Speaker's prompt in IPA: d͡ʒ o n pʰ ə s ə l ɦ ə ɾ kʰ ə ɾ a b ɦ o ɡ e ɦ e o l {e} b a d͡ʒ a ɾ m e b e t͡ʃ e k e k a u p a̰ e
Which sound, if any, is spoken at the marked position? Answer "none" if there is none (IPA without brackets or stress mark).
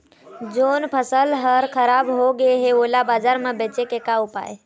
a